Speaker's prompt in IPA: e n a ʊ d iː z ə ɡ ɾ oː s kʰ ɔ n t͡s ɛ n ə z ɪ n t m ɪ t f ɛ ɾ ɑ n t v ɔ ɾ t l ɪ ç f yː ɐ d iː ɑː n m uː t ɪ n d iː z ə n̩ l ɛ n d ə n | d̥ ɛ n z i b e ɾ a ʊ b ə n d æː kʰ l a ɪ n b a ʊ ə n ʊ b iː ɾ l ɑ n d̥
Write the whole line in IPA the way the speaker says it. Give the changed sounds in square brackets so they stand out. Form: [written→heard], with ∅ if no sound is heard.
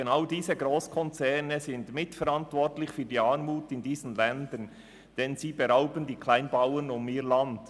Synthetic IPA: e n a ʊ d iː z ə ɡ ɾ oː s kʰ ɔ n t͡s ɛ n ə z ɪ n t m ɪ t f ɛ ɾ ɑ n t v ɔ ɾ t l ɪ ç f yː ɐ d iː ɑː n m uː t ɪ n d iː z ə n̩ l ɛ n d ə n | d̥ ɛ n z [i→iː] b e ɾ a ʊ b ə n d [æː→iː] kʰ l a ɪ n b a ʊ ə n ʊ [b→m] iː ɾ l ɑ n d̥

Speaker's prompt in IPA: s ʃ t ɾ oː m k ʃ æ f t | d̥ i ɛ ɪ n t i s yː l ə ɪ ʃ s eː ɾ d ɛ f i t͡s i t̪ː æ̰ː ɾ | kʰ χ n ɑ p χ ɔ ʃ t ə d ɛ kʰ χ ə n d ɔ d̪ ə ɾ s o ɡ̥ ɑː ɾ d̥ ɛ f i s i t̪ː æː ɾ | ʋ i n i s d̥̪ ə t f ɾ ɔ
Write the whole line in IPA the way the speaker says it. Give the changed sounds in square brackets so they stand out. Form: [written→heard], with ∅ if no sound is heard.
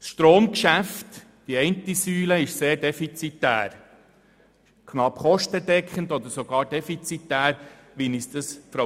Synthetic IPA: s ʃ t ɾ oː m k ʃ æ f t | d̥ i ɛ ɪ n t i s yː l ə ɪ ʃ s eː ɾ d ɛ f i t͡s i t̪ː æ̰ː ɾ | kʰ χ n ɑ p χ ɔ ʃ t ə d ɛ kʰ χ ə n d ɔ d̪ ə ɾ s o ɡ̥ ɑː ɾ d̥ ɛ f i [s→t͡s] i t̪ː æː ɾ | ʋ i n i s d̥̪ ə [t→s] f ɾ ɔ

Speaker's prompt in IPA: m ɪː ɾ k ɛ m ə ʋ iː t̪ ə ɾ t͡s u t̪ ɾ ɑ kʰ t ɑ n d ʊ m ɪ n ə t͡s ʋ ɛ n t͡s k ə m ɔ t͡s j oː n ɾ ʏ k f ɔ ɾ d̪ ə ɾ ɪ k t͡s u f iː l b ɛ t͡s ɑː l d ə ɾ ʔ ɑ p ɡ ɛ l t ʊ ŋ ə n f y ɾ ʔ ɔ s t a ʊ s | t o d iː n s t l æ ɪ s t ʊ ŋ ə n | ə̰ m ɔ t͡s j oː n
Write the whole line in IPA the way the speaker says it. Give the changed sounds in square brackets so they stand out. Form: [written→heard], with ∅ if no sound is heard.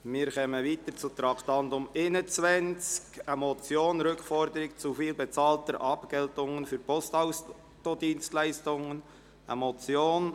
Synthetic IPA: m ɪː ɾ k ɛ m ə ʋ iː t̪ ə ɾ t͡s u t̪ ɾ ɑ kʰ t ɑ n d ʊ m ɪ n ə t͡s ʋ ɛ n t͡s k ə m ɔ t͡s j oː n ɾ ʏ k f ɔ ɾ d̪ ə ɾ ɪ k t͡s u f iː l b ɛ t͡s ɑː l [d→t] ə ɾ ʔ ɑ p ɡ ɛ l t ʊ ŋ ə n f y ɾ [ʔ→p] ɔ s t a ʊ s | t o d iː n s t l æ ɪ s t ʊ ŋ ə n | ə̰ m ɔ t͡s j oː n

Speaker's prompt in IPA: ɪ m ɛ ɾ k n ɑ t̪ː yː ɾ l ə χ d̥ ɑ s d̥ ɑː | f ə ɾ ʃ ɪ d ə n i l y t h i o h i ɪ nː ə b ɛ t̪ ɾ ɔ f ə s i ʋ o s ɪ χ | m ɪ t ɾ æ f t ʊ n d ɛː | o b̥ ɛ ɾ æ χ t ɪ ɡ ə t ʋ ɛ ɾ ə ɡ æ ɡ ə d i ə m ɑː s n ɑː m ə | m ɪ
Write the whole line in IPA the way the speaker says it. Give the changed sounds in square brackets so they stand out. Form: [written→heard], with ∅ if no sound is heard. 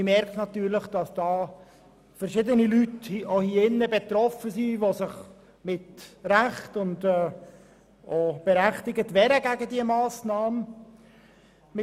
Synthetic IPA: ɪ m ɛ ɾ k n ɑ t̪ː yː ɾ l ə χ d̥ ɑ s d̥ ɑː | f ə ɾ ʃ ɪ d ə n i l y t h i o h i ɪ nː ə b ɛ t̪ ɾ ɔ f ə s i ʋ o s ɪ χ | m ɪ t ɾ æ [f→χ] t ʊ n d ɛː | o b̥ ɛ ɾ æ χ t ɪ ɡ ə t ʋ ɛ ɾ ə ɡ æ ɡ ə d i ə m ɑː s n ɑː m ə | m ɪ

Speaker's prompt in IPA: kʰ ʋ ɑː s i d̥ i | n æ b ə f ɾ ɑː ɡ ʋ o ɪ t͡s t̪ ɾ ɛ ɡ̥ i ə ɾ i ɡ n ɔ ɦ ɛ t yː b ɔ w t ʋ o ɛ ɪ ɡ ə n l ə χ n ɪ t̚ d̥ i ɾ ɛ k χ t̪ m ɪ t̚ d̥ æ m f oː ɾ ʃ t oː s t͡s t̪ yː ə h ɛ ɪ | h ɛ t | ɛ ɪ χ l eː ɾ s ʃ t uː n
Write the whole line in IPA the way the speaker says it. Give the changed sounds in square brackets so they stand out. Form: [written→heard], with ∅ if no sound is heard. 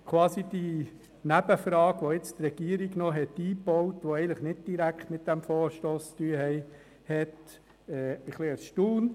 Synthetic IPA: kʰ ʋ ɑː s i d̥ i | n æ b ə f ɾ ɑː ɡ ʋ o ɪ t͡s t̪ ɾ ɛ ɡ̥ i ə ɾ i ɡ n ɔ ɦ ɛ t [yː→iː] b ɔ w t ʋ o ɛ ɪ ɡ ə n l ə χ n ɪ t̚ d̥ i ɾ [ɛ→æ] k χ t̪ m ɪ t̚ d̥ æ m f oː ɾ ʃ t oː s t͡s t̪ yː ə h ɛ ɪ | h ɛ t | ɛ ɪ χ l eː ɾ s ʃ t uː n

